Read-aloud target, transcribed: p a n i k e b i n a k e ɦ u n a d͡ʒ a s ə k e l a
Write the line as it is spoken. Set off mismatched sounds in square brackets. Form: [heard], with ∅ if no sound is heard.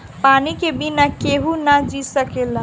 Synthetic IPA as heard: p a n i k e b i n a k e ɦ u n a d͡ʒ [i] s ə k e l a